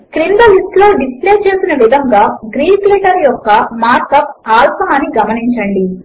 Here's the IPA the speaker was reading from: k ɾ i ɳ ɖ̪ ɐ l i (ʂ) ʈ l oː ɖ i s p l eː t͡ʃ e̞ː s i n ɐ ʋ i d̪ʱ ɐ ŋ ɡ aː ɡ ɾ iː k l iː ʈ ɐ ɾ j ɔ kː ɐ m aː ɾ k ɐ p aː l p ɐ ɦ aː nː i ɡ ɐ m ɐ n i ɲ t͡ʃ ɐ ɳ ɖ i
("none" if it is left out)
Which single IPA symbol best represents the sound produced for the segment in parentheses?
s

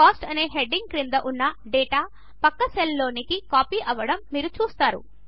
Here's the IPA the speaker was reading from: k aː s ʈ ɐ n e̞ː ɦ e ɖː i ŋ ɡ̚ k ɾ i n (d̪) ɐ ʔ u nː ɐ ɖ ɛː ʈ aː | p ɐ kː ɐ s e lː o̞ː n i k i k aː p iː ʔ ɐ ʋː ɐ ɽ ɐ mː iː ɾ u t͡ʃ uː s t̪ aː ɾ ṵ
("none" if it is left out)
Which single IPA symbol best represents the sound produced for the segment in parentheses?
d̪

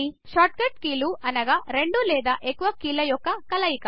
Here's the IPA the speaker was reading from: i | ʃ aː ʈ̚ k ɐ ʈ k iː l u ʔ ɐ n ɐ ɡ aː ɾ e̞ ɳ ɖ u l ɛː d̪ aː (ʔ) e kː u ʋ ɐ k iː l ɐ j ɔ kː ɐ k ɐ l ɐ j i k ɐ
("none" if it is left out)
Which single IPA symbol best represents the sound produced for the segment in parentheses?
ʔ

